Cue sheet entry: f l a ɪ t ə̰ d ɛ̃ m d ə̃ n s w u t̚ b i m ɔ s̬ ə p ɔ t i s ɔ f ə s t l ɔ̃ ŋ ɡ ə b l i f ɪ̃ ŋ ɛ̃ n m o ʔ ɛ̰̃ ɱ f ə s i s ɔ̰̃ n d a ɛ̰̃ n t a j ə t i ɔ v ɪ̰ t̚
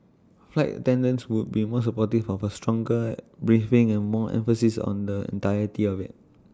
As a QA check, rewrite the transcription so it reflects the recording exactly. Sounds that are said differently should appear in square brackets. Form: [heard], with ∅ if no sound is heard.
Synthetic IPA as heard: f l a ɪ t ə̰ [t] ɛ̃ [n] d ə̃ n s w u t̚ b i m ɔ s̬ ə p ɔ t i [f] ɔ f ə s t [ɹ] ɔ̃ ŋ ɡ ə b [ɹ] i f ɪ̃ ŋ ɛ̃ n m [ɔ] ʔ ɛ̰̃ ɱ f ə s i s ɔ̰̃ n d [ə] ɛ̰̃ n t a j ə t i ɔ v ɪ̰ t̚